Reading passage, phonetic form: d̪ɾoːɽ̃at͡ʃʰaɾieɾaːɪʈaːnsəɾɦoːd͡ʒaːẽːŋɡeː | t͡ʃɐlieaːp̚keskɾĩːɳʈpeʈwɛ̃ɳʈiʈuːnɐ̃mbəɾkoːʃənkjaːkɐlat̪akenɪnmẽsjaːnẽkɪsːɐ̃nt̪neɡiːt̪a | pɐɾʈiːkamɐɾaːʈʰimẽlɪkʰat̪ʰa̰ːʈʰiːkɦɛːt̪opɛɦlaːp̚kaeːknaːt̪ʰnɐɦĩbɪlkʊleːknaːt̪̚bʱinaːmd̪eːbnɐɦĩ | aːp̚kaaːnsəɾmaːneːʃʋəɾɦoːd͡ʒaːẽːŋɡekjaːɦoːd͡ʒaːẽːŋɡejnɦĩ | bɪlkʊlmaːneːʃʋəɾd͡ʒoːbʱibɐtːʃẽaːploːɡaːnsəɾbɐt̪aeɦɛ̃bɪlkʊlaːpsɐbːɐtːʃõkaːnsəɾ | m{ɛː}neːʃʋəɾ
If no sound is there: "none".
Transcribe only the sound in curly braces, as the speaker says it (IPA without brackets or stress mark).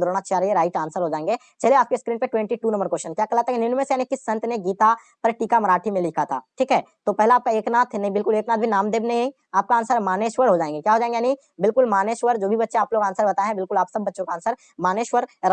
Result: aː